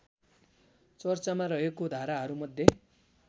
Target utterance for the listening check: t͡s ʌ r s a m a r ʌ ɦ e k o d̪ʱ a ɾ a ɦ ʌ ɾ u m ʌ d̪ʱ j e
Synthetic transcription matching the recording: t͡s ʌ r t͡s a m a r ʌ ɦ e k o d̪ʱ a ɾ a ɦ ʌ ɾ u m ʌ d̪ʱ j e